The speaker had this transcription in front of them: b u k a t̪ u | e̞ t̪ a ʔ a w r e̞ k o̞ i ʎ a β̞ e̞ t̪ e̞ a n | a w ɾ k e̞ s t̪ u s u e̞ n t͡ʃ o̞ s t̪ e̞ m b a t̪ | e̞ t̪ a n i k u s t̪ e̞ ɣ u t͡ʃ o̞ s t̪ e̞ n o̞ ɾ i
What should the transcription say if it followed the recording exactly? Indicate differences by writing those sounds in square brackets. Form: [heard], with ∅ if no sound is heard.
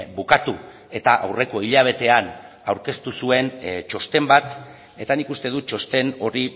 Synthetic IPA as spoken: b u k a t̪ u | e̞ t̪ a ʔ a w r e̞ k o̞ i ʎ a β̞ e̞ t̪ e̞ a n | a w ɾ k e̞ s t̪ u s u e̞ n t͡ʃ o̞ s t̪ e̞ m b a t̪ | e̞ t̪ a n i k u s t̪ e̞ [ð] u t͡ʃ o̞ s t̪ e̞ n o̞ ɾ i